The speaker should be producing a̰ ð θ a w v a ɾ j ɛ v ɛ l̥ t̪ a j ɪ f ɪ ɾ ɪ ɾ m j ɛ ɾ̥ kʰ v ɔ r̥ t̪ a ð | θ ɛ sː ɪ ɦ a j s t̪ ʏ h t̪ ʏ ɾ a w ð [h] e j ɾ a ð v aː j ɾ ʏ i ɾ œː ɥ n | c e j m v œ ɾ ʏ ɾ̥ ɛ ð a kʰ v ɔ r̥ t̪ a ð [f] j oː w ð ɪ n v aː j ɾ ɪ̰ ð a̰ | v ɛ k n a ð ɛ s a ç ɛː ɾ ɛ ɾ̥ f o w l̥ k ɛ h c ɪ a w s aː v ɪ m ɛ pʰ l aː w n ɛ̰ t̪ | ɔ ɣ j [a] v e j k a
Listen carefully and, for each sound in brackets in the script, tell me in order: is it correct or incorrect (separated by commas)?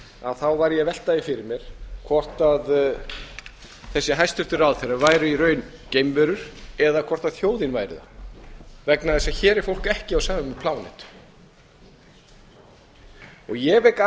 incorrect, incorrect, incorrect